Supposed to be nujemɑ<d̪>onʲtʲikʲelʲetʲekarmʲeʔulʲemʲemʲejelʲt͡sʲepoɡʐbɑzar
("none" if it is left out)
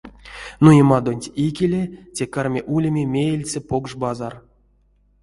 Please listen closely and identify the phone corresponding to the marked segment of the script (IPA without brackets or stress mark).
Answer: d̪